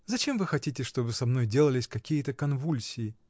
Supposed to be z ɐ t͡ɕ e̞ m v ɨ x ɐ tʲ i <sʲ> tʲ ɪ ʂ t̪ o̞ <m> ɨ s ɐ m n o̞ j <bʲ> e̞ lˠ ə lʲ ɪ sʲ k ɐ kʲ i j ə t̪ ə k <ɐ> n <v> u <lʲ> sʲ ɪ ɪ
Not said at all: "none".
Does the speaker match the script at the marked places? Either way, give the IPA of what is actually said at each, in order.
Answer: none, b, dʲ, ɐ, v, lʲ

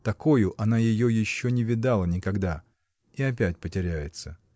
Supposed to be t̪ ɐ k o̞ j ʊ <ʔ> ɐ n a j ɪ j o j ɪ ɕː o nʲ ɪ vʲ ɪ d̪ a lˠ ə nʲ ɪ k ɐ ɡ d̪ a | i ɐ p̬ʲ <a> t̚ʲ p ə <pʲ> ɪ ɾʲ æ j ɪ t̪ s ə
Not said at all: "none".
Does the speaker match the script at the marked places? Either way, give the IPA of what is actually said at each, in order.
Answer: ʔ, æ, tʲ

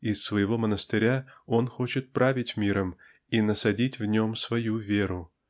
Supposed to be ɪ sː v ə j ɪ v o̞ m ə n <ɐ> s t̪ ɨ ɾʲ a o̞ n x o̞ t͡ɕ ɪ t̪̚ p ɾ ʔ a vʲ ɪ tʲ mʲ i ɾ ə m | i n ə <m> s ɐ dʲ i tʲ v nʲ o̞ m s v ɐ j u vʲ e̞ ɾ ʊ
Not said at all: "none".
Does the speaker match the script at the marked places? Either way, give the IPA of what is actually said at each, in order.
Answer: ə, none

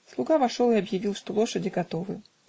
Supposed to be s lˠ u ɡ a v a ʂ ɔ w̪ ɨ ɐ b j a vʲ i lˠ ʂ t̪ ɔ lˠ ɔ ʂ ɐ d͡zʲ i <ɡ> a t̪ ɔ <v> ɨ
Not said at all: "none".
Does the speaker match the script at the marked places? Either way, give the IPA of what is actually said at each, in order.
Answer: ɡ, v

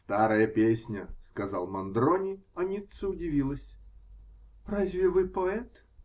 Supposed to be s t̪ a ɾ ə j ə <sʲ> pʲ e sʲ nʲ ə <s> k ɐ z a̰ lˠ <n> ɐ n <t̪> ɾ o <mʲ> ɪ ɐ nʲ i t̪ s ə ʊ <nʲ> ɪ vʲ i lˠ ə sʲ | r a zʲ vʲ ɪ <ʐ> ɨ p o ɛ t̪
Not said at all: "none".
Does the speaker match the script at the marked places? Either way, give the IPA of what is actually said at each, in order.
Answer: none, s, m, d̪, nʲ, dʲ, v

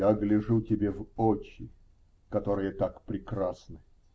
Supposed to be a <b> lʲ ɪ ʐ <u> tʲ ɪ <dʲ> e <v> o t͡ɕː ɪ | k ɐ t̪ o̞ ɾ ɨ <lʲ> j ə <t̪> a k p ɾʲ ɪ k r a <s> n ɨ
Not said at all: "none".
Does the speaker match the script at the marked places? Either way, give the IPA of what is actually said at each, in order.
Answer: ɡ, u, bʲ, v, none, t̪, s

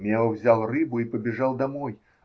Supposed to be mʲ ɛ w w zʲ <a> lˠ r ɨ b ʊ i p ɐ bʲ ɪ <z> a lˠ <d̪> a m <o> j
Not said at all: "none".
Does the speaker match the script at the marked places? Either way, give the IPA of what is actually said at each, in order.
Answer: a, ʐ, d̪, ɔ

